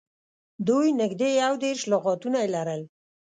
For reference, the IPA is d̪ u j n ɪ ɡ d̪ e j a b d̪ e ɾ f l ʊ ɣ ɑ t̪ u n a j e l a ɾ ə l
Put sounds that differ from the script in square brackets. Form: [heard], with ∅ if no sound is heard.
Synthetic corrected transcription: d̪ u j n ɪ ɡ d̪ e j a [w] d̪ e ɾ [ʃ] l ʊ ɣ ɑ t̪ u n a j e l a ɾ ə l